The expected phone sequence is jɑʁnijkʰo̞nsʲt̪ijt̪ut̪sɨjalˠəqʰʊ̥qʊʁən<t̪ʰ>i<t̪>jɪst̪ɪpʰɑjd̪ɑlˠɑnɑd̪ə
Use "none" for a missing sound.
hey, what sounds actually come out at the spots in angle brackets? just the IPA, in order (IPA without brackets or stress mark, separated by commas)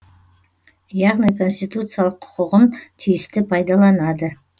t̪ʰ, none